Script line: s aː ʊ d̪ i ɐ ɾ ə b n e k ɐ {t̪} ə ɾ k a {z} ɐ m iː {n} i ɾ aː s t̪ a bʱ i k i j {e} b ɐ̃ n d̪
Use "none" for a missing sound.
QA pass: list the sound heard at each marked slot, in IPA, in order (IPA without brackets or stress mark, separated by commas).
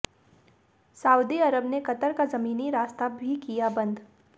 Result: t̪, z, n, a